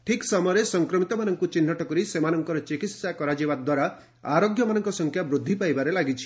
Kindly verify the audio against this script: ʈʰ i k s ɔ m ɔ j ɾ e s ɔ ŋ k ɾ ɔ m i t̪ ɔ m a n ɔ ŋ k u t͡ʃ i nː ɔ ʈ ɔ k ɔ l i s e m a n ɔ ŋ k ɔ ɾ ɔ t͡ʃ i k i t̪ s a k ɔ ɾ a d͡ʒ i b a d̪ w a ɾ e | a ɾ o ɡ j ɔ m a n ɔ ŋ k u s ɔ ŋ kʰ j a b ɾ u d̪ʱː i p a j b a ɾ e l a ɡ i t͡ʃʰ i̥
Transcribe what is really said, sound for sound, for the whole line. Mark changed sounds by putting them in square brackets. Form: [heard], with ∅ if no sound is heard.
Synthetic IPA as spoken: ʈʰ i k s ɔ m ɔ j ɾ e s ɔ ŋ k ɾ ɔ m i t̪ ɔ m a n ɔ ŋ k u t͡ʃ i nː ɔ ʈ ɔ k ɔ [ɾ] i s e m a n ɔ ŋ k ɔ ɾ ɔ t͡ʃ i k i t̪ s a k ɔ ɾ a d͡ʒ i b a d̪ w a ɾ [a] | a ɾ o ɡ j ɔ m a n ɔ ŋ k [ɔ] s ɔ ŋ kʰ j a b ɾ u d̪ʱː i p a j b a ɾ e l a ɡ i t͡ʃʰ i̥